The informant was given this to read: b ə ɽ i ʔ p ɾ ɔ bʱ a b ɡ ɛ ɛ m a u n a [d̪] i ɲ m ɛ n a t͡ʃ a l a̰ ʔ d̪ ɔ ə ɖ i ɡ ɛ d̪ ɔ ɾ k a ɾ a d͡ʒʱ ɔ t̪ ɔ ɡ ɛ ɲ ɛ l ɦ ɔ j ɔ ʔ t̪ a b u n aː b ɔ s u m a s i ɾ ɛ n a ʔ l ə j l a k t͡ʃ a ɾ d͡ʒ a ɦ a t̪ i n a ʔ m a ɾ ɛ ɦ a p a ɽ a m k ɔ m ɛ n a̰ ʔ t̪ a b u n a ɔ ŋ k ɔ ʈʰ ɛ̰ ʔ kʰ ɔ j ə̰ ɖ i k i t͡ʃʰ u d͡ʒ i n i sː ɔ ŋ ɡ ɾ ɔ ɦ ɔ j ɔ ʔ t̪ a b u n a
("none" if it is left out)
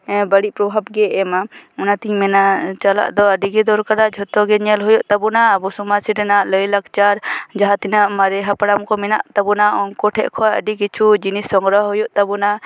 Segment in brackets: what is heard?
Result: t̪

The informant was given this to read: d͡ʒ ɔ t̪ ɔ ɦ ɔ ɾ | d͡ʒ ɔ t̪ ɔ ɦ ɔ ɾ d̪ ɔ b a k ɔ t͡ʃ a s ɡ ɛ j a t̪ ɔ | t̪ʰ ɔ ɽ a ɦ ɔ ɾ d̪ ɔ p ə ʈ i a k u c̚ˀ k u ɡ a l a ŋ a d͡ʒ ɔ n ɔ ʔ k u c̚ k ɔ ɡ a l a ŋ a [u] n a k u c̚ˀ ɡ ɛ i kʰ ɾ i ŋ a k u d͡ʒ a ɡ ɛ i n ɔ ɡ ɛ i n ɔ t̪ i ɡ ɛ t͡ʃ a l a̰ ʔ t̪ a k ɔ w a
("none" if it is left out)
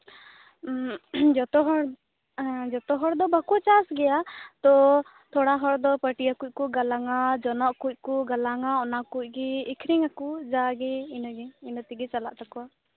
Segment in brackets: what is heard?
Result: ɔ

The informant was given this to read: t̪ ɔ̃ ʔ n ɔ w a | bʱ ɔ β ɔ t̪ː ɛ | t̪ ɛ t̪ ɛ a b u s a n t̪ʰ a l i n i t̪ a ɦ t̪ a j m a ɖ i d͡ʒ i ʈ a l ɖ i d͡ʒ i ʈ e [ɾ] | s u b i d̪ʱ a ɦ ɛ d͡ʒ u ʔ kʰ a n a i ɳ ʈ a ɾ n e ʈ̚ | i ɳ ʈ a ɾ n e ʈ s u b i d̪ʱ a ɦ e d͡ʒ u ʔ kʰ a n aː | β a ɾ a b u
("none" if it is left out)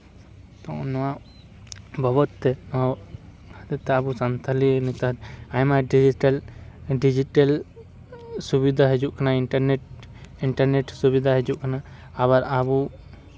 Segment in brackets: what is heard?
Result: l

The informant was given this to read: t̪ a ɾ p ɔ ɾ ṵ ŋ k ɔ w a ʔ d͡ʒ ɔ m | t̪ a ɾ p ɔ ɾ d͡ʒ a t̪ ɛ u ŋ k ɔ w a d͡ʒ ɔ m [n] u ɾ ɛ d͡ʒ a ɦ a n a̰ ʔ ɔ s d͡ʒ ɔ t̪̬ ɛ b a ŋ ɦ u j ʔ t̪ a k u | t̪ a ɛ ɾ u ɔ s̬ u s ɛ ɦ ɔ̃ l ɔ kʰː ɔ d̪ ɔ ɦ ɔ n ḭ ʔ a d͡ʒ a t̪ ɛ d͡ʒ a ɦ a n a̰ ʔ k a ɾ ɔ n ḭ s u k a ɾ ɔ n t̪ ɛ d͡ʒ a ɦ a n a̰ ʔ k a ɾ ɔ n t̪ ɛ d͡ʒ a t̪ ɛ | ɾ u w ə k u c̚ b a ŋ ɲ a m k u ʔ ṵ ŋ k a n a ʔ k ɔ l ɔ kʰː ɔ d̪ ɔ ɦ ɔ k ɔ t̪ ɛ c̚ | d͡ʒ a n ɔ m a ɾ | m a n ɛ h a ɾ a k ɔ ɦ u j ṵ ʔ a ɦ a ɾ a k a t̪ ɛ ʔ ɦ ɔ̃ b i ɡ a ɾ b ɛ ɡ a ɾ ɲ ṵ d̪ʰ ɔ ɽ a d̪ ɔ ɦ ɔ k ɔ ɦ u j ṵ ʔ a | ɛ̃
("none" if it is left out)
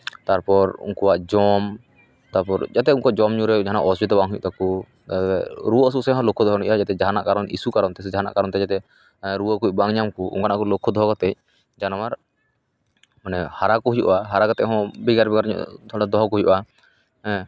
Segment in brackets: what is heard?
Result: ɲ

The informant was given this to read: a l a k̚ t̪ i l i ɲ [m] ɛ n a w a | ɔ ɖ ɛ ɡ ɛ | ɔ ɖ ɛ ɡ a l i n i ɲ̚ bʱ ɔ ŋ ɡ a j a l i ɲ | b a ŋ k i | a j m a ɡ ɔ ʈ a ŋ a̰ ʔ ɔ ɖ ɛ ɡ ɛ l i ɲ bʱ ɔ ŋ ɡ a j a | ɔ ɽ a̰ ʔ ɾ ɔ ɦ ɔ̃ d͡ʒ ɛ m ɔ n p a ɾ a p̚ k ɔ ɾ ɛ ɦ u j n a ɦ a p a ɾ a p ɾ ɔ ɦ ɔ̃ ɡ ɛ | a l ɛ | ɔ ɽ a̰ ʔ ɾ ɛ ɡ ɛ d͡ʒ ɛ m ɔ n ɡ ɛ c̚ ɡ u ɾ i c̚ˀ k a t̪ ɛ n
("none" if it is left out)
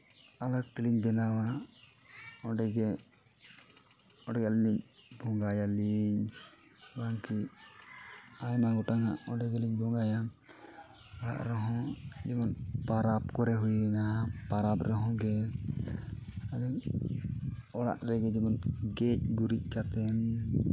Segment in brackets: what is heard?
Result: b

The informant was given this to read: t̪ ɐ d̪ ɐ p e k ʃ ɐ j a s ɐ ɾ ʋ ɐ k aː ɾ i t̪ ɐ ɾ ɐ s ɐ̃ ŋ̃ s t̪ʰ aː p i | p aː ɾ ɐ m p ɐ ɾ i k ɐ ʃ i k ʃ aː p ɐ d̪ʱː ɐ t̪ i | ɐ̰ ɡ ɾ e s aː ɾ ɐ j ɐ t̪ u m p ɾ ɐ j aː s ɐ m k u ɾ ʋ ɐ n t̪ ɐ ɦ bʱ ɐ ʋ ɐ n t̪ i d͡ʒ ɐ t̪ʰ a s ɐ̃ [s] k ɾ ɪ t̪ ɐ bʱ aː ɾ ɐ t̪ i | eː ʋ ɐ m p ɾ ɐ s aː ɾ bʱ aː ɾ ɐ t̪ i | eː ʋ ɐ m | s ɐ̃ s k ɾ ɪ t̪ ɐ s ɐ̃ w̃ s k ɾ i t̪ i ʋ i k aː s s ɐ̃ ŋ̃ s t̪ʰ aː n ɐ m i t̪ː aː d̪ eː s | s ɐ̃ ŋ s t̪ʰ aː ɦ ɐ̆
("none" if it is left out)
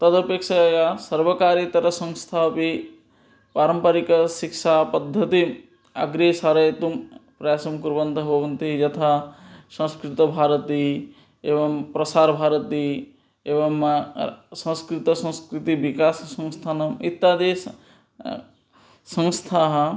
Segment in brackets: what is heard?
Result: s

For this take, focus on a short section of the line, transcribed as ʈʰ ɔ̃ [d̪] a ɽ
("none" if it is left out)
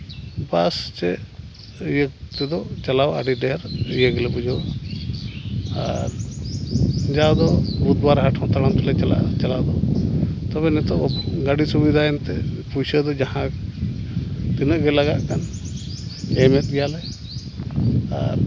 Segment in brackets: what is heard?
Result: t̪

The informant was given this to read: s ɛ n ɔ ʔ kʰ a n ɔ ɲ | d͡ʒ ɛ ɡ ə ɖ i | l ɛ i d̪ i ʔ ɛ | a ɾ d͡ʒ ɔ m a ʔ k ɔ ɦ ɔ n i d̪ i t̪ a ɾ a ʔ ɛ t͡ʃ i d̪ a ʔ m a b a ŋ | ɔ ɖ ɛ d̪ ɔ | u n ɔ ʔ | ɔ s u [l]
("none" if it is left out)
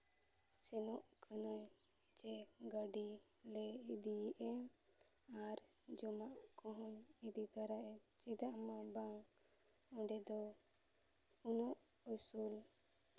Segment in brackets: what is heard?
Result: l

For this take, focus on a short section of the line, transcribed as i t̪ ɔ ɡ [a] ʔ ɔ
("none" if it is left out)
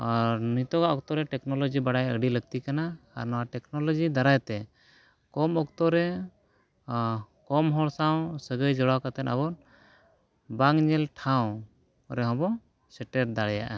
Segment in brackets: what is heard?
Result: a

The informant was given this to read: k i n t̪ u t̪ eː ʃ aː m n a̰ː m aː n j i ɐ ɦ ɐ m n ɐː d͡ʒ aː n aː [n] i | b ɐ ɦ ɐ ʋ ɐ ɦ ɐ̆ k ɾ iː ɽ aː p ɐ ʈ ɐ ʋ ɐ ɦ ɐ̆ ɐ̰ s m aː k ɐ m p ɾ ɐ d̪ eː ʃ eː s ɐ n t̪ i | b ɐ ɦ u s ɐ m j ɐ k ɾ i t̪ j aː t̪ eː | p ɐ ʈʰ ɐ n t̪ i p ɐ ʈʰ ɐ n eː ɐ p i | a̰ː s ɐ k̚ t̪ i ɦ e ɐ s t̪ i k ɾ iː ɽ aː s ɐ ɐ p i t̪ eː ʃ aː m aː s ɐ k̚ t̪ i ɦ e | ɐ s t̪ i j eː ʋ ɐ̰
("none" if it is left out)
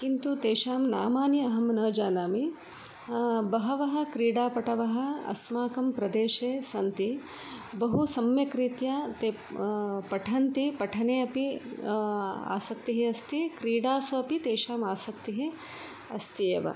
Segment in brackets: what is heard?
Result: m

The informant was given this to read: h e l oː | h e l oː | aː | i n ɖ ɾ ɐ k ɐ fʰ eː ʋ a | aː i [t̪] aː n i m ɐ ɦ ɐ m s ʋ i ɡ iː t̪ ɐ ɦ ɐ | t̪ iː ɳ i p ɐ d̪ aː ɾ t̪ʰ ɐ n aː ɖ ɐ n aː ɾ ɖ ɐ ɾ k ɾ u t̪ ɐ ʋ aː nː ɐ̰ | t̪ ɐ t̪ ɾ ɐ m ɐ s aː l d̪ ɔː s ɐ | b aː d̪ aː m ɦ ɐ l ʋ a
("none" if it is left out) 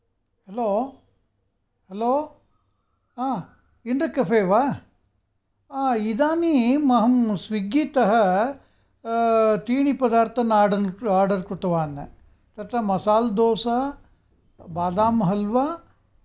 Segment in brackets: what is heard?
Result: d̪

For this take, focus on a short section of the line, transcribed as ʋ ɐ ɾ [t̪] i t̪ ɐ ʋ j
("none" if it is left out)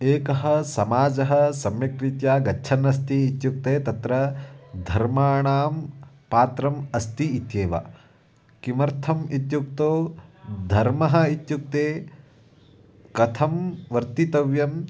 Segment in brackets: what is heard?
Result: t̪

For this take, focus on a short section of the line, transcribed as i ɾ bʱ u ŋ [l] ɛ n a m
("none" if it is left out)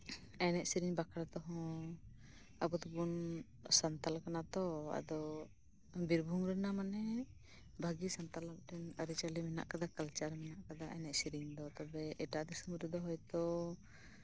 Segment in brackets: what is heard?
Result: ɾ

